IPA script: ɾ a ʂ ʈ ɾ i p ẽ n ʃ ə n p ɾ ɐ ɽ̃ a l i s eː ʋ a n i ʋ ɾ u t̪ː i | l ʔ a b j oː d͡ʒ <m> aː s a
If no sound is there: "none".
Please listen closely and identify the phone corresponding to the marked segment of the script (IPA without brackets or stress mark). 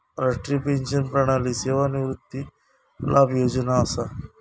n